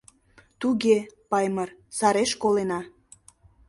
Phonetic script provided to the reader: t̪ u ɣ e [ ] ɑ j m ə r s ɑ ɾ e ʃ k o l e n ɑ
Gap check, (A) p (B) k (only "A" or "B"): A